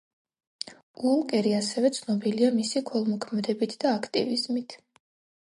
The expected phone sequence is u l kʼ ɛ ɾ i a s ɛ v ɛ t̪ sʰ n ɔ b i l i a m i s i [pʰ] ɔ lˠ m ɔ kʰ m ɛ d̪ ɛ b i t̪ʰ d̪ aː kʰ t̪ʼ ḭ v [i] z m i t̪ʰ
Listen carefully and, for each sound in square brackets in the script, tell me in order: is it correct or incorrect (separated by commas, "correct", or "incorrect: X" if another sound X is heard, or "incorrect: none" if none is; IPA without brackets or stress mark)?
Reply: incorrect: kʰ, correct